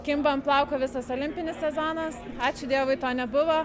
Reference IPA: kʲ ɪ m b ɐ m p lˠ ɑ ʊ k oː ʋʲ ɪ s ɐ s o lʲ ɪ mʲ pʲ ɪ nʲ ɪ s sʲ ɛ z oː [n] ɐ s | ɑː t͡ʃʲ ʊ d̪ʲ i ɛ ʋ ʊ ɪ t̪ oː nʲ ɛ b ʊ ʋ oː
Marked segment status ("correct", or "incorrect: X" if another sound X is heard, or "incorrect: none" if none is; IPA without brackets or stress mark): correct